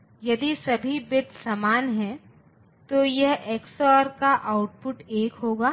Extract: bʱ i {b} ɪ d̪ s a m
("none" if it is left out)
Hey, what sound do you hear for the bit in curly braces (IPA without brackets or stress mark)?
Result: b